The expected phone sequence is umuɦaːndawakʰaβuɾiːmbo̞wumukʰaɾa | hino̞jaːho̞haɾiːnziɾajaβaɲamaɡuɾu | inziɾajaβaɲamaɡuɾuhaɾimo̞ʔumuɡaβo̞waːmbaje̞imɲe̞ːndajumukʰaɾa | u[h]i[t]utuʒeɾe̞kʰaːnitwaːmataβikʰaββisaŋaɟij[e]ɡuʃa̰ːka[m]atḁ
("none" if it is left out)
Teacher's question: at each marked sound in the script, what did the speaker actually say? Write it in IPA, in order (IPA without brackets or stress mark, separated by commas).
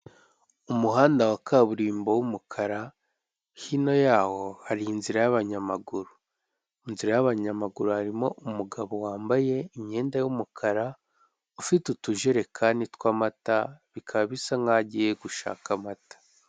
f, t, e, m